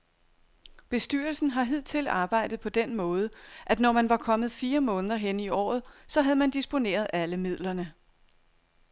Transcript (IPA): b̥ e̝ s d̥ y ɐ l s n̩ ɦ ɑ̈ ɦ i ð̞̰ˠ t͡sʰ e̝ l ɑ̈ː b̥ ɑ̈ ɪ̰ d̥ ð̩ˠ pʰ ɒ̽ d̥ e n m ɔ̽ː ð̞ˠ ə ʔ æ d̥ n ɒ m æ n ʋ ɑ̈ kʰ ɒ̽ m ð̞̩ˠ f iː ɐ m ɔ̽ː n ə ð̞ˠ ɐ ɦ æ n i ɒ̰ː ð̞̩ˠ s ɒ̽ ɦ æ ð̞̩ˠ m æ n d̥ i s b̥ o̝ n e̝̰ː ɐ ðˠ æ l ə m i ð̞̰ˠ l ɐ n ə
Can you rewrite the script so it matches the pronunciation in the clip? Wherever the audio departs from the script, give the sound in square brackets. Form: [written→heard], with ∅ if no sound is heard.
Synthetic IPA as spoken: b̥ e̝ s d̥ y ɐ l s n̩ ɦ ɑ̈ ɦ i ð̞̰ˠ t͡sʰ e̝ l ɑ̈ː b̥ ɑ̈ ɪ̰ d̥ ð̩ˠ pʰ ɒ̽ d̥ e n m ɔ̽ː ð̞ˠ ə ʔ æ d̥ n ɒ m æ n ʋ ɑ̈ kʰ ɒ̽ m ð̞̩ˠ f iː ɐ m ɔ̽ː n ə ð̞ˠ ɐ ɦ [æ→e] n i ɒ̰ː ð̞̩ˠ s ɒ̽ ɦ æ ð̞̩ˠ m æ n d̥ i s b̥ o̝ n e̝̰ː ɐ ðˠ æ l ə m i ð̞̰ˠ l ɐ n ə